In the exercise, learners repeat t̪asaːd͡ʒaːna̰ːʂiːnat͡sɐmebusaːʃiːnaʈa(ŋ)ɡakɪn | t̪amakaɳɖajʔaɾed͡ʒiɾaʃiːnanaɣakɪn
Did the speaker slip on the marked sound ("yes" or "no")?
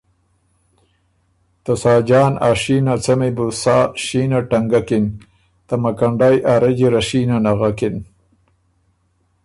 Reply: no